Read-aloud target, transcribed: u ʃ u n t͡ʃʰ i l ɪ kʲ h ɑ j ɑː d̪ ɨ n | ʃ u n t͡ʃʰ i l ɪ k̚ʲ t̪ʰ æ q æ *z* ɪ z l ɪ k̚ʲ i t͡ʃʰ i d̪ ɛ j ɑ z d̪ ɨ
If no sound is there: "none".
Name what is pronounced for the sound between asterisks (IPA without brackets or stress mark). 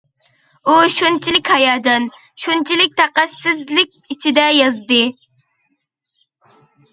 s